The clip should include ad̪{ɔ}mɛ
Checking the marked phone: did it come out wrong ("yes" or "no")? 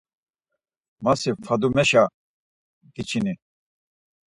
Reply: yes